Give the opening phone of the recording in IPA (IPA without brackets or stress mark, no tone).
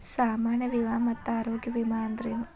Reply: s